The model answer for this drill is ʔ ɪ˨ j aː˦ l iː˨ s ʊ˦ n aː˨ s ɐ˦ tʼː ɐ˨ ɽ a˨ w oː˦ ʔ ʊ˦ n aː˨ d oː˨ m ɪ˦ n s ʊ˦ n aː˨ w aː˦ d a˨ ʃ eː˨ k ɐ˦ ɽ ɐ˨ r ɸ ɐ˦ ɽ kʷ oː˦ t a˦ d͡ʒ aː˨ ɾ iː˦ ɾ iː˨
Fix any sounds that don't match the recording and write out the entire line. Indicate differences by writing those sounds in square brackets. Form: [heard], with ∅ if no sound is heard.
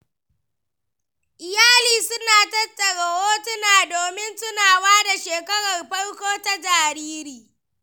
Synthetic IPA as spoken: ʔ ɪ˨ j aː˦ l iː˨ s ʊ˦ n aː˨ [t] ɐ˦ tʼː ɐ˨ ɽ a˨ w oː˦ [t] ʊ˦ n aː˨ d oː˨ m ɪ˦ n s ʊ˦ n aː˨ w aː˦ d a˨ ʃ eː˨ k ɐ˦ ɽ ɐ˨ r ɸ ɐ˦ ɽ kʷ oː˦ t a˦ d͡ʒ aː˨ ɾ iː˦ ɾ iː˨